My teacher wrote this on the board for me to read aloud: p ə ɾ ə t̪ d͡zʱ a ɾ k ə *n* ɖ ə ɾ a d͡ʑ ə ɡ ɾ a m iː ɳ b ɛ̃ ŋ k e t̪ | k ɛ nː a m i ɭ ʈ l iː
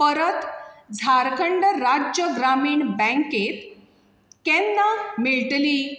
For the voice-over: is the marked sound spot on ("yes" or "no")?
no